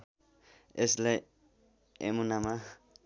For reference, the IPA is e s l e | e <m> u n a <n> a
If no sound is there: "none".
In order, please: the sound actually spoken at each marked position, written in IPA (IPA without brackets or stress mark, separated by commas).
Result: m, m